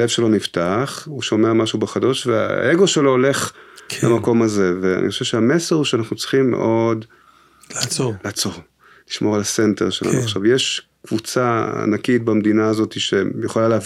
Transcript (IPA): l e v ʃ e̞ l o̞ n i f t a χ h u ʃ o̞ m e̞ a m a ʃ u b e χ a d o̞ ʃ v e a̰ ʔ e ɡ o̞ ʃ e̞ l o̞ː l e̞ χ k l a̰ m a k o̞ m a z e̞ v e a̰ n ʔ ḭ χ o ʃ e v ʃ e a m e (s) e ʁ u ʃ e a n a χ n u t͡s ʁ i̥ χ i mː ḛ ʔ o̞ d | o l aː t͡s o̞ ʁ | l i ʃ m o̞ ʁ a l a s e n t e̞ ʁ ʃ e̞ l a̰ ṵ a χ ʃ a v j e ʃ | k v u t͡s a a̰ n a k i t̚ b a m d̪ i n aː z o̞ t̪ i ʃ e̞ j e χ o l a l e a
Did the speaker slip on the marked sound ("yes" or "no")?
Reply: no